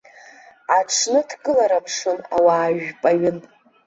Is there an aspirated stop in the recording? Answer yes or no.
yes